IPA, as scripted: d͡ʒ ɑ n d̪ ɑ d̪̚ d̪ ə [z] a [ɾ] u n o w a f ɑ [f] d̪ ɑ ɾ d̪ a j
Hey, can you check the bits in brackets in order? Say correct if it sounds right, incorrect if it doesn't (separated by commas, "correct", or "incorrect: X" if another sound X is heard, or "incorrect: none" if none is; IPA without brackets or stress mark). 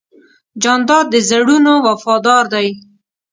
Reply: correct, incorrect: ɽ, incorrect: none